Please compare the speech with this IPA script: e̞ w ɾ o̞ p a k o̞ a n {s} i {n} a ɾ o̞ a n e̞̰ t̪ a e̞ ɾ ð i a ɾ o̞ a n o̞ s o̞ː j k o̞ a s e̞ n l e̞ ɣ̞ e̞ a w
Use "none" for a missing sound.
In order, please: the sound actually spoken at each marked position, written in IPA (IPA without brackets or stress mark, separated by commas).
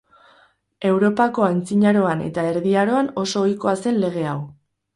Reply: t͡s, ɲ